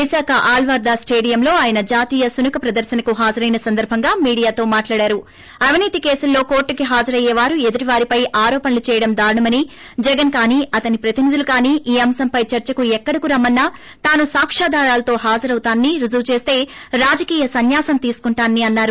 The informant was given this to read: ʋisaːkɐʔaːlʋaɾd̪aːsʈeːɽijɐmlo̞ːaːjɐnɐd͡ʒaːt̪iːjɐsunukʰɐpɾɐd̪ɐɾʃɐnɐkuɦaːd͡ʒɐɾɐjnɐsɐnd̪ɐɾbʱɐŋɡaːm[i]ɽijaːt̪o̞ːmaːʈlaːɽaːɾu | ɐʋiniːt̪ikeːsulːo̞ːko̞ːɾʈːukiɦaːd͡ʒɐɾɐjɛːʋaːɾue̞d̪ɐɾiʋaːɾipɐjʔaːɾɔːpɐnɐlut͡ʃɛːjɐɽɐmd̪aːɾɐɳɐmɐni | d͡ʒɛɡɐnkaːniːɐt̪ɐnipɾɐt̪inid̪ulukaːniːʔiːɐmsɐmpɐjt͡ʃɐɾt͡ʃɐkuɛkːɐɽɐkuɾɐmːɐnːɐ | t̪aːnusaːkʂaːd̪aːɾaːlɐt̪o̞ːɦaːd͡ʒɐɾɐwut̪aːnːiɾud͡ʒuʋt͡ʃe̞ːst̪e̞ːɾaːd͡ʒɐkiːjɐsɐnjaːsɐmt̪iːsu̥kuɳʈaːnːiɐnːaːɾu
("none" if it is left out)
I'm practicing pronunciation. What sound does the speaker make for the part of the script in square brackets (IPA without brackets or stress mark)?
iː